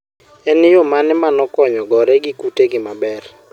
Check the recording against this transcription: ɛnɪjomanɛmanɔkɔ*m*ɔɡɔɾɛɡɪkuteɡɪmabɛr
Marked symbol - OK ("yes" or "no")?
no